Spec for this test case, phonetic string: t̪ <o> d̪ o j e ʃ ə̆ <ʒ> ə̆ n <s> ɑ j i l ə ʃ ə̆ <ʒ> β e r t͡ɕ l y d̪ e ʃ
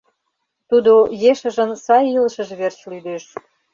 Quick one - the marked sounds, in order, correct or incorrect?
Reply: incorrect: u, correct, correct, correct

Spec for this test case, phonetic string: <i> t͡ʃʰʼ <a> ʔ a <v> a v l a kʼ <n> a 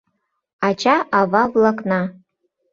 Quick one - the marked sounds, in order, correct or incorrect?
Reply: incorrect: a, correct, correct, correct

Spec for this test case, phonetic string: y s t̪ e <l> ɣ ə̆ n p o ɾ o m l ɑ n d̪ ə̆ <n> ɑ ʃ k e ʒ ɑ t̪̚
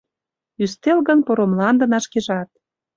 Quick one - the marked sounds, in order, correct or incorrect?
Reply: correct, correct

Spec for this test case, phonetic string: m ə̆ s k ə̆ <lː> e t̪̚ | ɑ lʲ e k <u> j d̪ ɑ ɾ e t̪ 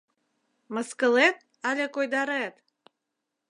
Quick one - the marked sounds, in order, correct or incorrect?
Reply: incorrect: l, incorrect: o

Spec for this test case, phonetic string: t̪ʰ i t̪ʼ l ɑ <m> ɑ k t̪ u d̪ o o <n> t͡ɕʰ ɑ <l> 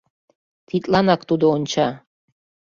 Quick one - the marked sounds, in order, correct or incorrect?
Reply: incorrect: n, correct, incorrect: none

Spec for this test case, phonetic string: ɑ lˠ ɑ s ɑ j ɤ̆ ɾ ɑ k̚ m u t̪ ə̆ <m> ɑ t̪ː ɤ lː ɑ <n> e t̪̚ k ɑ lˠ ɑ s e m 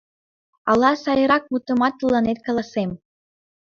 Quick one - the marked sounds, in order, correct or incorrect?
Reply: correct, correct

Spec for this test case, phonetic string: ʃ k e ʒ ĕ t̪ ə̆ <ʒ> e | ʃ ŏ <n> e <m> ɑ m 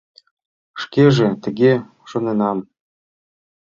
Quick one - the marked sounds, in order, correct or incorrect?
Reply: incorrect: ɣ, correct, incorrect: n

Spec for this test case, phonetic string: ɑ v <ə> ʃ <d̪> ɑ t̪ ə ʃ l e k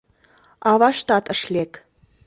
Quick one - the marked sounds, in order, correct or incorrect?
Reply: incorrect: ɑ, incorrect: t̪

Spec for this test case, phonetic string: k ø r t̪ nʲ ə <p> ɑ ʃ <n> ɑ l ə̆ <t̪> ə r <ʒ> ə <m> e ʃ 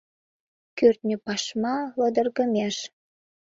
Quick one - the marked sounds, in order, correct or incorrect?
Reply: correct, incorrect: m, incorrect: d̪, incorrect: ɣ, correct

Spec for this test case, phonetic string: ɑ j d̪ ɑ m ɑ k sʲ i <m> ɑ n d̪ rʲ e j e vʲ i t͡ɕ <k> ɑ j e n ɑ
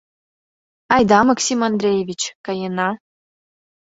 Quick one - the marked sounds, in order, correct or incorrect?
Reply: correct, correct

